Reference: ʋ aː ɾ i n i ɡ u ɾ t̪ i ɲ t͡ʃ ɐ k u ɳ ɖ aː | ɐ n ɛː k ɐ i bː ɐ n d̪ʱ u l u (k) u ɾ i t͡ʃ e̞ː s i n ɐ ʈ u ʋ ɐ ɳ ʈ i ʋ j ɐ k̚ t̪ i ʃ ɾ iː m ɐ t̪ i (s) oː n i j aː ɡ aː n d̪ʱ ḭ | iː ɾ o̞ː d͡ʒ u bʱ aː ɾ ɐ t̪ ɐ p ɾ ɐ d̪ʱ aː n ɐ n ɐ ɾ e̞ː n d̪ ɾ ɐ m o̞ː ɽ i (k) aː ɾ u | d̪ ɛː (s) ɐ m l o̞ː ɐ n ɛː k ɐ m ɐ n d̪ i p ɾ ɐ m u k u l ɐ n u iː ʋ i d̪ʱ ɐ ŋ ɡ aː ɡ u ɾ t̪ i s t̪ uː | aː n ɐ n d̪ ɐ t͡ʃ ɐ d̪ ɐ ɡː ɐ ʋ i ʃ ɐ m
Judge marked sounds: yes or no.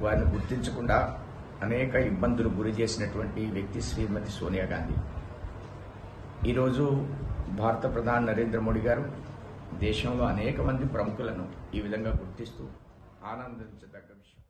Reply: no, yes, no, no

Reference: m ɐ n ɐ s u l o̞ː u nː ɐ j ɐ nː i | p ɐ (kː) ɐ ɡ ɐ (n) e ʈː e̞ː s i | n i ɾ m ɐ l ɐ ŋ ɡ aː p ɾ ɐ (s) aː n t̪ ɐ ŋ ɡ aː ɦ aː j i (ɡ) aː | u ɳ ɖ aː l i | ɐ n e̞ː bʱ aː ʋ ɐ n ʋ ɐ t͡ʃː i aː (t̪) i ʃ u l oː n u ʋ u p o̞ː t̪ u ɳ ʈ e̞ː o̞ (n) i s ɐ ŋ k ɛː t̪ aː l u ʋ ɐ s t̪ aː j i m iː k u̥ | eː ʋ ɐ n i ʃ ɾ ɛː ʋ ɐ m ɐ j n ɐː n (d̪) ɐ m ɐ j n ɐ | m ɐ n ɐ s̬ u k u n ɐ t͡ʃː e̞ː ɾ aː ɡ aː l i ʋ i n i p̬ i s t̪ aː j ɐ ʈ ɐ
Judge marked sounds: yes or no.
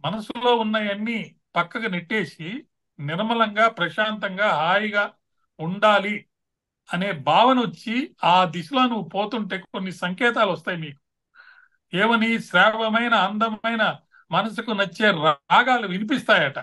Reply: yes, yes, no, yes, no, no, yes

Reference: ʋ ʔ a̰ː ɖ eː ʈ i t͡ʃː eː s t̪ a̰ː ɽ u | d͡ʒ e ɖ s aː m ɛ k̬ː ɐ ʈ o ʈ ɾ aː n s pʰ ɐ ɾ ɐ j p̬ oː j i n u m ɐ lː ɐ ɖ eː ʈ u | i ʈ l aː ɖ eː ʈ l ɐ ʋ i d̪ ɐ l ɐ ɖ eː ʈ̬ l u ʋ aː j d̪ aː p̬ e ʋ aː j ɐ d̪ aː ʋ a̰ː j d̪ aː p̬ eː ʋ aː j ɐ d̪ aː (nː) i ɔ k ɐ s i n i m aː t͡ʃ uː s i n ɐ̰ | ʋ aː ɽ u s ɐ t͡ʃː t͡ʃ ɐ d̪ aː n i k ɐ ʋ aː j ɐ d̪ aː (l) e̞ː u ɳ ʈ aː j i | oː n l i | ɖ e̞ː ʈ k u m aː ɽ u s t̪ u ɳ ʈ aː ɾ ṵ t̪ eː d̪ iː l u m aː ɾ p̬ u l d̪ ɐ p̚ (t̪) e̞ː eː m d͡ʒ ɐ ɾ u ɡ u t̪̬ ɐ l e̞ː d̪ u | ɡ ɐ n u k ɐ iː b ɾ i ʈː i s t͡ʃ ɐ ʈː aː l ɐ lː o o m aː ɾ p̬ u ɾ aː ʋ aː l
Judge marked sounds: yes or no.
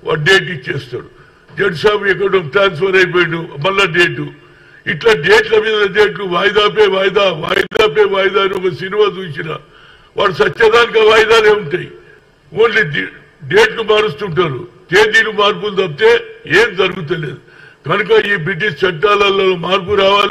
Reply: no, yes, yes

